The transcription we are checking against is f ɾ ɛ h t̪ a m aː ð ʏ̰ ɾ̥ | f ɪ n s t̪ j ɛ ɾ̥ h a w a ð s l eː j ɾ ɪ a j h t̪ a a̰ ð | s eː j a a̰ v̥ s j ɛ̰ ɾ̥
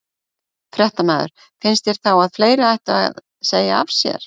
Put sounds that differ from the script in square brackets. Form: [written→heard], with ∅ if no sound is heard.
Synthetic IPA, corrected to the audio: f ɾ ɛ h t̪ a m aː ð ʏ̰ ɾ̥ | f ɪ n s t̪ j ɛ ɾ̥ [h→θ] a w a ð [s→f] l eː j ɾ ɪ a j h t̪ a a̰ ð | s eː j a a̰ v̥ s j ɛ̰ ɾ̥